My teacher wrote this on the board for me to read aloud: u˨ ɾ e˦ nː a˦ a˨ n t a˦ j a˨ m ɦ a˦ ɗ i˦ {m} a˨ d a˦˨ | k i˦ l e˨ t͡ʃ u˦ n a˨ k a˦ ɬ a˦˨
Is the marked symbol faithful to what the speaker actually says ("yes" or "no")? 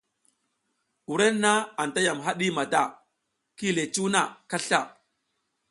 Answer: yes